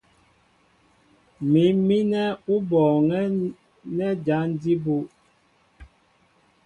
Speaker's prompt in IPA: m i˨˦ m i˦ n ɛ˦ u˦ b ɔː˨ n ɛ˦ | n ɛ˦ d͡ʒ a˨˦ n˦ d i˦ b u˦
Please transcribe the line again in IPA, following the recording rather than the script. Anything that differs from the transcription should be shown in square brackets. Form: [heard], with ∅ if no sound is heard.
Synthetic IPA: m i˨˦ m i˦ n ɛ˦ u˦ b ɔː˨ [ŋ] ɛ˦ | n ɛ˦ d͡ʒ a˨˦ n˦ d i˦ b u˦